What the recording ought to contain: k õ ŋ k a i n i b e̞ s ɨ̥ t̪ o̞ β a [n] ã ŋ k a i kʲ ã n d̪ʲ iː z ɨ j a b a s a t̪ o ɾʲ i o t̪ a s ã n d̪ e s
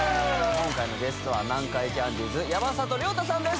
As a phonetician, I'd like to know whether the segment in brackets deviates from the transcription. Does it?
no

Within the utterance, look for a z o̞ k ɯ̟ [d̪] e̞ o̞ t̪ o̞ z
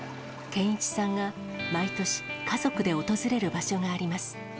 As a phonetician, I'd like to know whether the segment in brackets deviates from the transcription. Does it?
no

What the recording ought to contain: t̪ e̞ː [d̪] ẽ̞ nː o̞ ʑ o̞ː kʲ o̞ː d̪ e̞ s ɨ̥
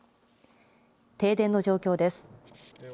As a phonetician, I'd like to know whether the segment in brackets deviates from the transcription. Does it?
no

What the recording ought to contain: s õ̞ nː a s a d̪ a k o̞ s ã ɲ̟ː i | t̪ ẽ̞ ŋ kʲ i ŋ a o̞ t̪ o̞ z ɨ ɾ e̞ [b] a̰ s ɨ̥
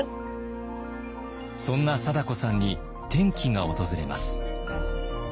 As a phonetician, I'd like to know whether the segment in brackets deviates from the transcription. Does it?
yes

